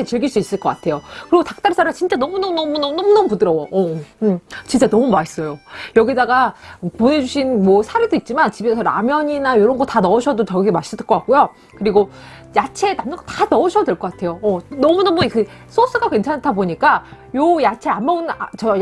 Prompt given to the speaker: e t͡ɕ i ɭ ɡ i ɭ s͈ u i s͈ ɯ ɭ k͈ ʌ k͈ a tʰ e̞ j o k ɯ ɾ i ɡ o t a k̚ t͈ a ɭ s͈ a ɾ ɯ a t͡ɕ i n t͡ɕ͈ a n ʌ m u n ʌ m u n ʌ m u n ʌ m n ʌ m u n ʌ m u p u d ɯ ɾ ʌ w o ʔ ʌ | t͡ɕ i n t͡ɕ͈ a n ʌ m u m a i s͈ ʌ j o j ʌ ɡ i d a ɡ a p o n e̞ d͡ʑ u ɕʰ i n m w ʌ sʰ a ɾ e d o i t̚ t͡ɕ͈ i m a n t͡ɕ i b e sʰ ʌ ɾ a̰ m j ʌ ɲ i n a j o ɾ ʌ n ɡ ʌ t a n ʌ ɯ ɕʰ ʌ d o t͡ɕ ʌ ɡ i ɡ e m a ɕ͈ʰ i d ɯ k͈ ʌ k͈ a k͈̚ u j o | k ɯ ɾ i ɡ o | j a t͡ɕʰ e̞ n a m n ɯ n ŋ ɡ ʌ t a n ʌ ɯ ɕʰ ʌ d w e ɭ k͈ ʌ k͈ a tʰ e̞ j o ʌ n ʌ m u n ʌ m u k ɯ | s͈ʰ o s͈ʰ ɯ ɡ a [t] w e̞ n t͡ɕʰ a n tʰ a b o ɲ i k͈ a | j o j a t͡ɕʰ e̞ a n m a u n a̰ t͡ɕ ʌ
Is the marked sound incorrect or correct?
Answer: incorrect